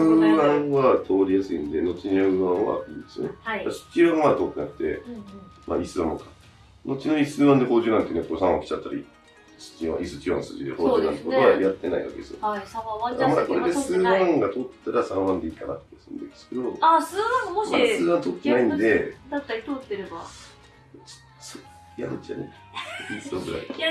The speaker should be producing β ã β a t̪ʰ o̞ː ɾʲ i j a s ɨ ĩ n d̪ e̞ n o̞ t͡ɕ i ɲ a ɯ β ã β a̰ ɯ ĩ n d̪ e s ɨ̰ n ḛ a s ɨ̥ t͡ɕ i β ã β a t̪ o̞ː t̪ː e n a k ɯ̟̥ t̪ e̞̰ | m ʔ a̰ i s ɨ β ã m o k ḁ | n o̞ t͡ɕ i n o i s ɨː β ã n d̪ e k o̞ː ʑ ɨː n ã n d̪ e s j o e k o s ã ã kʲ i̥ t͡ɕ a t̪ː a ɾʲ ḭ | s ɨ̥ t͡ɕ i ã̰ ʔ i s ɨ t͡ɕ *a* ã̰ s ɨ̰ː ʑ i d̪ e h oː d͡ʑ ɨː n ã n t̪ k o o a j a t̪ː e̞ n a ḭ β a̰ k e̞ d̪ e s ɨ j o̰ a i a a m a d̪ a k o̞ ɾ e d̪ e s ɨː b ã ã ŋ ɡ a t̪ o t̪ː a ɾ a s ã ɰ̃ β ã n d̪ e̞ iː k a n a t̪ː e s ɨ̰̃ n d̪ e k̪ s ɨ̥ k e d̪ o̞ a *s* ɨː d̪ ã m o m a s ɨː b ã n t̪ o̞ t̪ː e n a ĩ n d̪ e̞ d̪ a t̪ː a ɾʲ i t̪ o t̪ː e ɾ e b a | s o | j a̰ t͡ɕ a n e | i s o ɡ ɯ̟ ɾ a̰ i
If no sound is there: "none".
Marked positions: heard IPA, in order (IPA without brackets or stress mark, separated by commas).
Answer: i, s